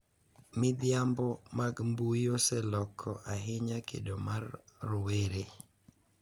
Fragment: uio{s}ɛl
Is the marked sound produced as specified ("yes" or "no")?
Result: yes